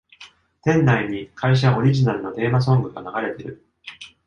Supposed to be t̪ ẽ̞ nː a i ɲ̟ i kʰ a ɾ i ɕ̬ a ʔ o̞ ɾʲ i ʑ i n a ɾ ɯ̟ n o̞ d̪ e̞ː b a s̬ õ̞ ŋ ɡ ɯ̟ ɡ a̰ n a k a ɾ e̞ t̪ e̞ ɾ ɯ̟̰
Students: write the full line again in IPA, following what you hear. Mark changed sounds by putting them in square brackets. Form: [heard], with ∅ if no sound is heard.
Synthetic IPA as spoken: t̪ ẽ̞ nː a i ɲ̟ i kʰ a [∅] i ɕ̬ a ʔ o̞ ɾʲ i ʑ i n a ɾ ɯ̟ n o̞ d̪ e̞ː [m] a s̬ õ̞ ŋ ɡ ɯ̟ ɡ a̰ n a [ɡ] a ɾ e̞ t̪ e̞ ɾ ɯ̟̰